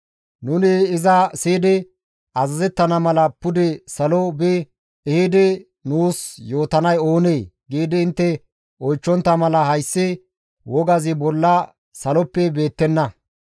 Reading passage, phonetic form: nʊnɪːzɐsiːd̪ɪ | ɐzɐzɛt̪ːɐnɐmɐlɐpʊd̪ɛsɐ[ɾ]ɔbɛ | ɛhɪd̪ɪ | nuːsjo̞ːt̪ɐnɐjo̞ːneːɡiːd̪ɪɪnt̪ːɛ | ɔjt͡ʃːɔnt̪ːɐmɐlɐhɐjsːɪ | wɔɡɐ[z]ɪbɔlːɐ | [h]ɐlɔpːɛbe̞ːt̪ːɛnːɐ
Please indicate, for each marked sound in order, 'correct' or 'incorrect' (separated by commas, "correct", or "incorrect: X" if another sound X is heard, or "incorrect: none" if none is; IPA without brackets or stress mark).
incorrect: l, correct, incorrect: s